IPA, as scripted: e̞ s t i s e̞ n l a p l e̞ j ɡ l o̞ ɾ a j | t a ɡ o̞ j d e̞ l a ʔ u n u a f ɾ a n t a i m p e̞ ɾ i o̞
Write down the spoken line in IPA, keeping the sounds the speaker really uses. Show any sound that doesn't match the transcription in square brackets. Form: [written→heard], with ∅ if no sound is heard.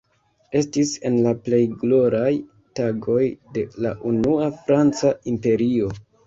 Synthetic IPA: e̞ s t i s e̞ n l a p l e̞ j ɡ l o̞ ɾ a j | t a ɡ o̞ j d e̞ l a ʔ u n u a f ɾ a n [t→t͡s] a i m p e̞ ɾ i o̞